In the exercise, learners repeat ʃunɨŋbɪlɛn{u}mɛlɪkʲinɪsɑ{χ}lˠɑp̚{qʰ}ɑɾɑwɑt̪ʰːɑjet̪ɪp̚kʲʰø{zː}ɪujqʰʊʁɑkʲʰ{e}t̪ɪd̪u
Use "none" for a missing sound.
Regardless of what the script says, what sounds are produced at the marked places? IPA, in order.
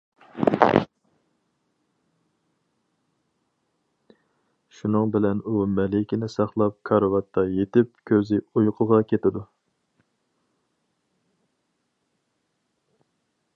u, χ, kʰ, z, e

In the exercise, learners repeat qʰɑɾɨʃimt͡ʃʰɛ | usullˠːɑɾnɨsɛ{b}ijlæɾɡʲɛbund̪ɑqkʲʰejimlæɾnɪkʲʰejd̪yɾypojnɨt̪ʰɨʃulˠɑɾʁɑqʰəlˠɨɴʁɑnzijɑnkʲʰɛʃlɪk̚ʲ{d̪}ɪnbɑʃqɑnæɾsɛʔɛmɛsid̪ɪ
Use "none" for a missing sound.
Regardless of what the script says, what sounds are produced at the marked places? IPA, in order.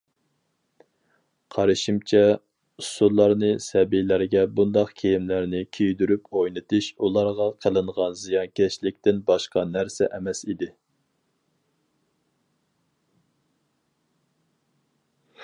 b, t̪

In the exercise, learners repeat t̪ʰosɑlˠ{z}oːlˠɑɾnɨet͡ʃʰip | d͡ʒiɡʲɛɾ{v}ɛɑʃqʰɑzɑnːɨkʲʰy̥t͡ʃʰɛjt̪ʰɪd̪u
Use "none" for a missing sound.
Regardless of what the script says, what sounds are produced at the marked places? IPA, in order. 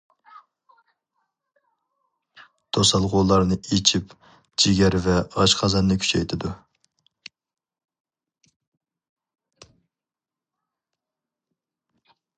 ʁ, v

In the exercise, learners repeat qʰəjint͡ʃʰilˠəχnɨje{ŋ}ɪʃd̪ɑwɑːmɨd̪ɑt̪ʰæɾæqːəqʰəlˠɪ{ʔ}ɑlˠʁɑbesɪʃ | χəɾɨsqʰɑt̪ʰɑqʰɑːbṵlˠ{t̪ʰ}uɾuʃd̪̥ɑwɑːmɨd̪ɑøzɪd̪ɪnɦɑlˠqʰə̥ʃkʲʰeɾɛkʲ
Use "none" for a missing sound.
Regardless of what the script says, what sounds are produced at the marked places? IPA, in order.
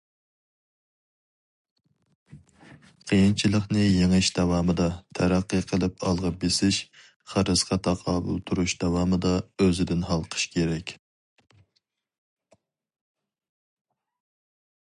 ŋ, p, t̪ʰ

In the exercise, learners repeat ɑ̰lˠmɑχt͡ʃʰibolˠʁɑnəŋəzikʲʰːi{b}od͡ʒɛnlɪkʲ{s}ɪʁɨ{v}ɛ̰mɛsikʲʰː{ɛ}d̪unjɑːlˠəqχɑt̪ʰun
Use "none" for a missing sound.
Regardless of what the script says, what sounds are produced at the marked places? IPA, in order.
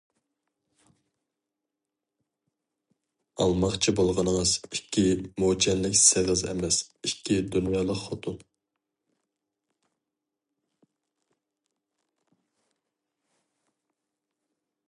m, s, z, i

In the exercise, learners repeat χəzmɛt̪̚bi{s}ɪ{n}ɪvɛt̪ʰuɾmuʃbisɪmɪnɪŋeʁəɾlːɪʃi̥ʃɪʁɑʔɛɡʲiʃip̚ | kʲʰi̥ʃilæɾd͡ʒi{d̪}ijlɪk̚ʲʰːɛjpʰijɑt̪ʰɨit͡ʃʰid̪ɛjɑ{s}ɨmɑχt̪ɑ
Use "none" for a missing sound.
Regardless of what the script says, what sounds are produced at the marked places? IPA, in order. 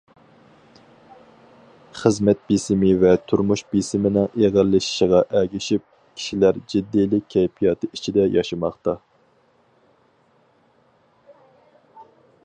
s, m, d̪ː, ʃ

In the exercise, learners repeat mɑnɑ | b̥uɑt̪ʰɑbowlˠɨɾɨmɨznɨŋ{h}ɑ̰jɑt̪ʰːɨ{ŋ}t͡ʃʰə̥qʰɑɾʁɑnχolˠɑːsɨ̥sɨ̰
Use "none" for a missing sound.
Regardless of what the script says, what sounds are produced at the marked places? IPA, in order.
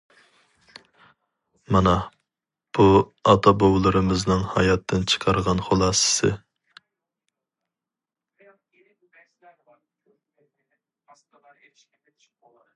h, n

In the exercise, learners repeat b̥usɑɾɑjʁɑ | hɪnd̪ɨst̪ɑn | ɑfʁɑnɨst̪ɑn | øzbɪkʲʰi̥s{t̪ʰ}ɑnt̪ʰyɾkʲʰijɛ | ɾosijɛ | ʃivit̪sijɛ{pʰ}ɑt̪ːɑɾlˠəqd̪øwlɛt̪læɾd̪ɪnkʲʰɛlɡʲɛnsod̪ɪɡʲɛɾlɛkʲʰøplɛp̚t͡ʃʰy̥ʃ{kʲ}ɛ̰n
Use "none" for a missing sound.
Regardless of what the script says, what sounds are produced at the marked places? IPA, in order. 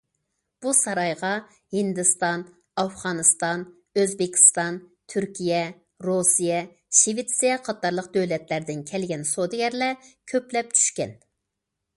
t̪, qʰ, kʲ

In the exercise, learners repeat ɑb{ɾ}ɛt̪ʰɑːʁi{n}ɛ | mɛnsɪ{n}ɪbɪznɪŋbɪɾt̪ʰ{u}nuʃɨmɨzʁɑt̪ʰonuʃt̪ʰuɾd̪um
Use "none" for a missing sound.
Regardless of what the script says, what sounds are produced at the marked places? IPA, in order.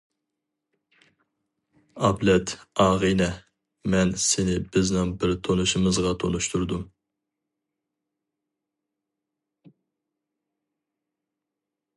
l, n, n, o

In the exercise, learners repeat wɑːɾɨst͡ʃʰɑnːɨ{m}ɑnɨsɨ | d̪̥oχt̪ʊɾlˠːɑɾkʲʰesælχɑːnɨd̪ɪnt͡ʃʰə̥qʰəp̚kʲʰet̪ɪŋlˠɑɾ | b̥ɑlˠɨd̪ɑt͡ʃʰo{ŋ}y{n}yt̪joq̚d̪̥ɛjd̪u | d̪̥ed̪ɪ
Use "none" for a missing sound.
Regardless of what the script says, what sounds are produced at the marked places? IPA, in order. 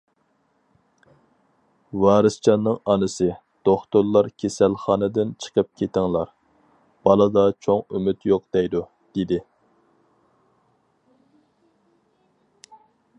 ŋ, ŋ, m

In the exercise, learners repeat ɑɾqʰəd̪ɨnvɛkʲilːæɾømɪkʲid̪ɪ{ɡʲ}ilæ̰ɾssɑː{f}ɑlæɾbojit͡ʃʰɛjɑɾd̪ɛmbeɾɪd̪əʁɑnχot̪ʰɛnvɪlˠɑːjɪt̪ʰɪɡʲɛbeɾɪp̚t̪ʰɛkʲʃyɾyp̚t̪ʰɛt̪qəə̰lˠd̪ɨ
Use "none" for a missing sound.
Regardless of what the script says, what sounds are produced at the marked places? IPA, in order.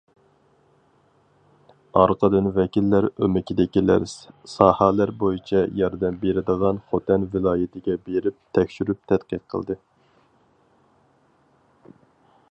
kʲ, h

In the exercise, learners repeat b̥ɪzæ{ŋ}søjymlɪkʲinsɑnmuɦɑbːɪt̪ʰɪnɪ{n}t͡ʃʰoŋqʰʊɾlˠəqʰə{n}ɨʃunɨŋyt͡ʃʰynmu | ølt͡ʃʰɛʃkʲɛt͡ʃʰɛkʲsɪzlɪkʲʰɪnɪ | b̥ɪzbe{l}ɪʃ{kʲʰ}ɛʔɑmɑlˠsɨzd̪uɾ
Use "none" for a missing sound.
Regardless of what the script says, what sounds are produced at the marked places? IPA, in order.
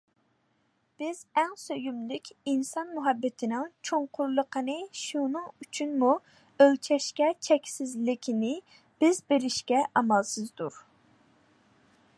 ŋ, ŋ, n, ɾ, kʲ

